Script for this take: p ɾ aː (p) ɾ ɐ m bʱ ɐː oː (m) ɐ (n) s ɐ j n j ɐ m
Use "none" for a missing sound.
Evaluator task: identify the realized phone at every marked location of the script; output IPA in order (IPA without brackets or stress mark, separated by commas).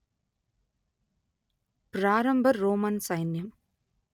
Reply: none, m, n